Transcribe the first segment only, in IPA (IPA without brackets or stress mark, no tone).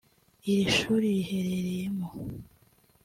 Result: i